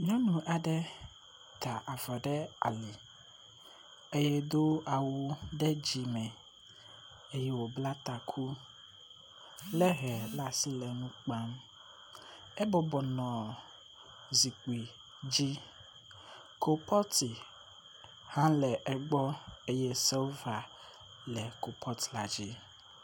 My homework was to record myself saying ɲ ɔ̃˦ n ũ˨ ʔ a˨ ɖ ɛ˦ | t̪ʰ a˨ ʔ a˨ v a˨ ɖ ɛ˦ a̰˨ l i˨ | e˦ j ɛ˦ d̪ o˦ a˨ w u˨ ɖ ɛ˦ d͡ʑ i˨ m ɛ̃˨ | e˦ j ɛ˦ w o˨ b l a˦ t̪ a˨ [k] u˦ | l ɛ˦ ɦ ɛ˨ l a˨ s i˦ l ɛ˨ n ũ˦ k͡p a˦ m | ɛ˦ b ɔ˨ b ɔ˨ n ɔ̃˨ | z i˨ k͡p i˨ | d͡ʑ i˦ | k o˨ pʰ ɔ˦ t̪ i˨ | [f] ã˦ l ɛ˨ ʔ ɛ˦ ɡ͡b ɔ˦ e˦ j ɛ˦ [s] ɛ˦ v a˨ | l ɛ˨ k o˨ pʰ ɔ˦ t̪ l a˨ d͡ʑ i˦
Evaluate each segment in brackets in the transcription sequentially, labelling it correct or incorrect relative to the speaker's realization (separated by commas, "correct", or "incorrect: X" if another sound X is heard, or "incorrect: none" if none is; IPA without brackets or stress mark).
incorrect: kʰ, incorrect: h, correct